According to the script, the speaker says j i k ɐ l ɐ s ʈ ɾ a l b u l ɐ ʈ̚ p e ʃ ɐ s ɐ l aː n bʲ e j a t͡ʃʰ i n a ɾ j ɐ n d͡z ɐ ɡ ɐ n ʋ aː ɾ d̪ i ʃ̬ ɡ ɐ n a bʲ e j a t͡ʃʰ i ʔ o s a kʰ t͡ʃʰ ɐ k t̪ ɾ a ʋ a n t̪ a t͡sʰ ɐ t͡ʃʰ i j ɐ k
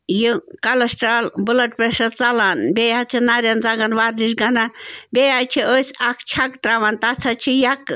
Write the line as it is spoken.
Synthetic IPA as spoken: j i k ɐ l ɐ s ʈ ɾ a l b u l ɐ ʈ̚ p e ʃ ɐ t͡s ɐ l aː n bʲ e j a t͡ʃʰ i n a ɾ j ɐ n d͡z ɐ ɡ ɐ n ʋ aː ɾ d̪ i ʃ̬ ɡ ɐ n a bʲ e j a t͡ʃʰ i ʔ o s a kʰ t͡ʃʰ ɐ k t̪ ɾ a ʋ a n t̪ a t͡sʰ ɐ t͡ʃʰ i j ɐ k